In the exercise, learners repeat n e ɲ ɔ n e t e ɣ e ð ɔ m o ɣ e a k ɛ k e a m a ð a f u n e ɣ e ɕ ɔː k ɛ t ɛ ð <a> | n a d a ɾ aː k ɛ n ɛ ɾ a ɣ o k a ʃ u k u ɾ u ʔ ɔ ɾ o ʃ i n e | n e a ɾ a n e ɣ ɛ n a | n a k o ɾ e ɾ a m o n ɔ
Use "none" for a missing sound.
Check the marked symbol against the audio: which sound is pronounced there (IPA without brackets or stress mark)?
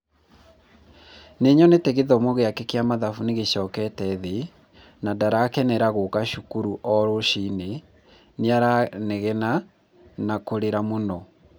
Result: e